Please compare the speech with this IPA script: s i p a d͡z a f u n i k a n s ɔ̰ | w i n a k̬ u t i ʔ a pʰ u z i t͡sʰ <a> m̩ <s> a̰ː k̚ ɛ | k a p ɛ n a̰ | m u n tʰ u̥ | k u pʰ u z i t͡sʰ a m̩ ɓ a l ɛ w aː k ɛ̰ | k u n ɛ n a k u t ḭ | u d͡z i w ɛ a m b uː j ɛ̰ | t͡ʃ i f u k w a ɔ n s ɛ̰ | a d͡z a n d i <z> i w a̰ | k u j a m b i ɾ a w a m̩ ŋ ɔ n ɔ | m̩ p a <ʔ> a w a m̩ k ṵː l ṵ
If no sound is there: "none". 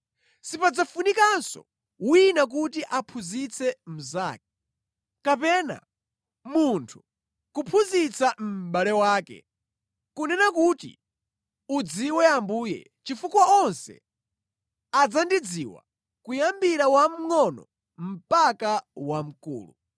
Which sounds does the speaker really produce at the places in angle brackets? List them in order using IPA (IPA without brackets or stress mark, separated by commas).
ɛ, z, d͡z, k